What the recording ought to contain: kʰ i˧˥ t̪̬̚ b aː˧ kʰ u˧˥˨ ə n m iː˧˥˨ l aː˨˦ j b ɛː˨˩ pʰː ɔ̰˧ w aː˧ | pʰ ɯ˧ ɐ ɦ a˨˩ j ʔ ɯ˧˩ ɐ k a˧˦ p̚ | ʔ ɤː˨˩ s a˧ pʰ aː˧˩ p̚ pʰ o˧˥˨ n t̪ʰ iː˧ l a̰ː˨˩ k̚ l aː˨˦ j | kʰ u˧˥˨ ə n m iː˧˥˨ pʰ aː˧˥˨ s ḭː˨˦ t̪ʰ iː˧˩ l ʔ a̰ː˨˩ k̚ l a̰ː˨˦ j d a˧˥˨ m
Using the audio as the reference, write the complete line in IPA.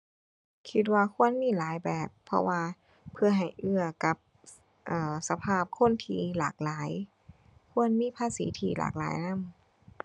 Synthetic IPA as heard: kʰ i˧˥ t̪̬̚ w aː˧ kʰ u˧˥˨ ə n m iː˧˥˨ l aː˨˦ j b ɛː˨˩ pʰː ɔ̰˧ w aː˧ | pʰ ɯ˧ ɐ ɦ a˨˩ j ʔ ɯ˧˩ ɐ k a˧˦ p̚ | ʔ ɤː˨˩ s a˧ pʰ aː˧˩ p̚ kʰ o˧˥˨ n t̪ʰ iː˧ l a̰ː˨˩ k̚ l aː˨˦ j | kʰ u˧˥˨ ə n m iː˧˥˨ pʰ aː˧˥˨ s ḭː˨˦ t̪ʰ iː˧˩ l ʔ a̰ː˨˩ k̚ l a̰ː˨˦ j n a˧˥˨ m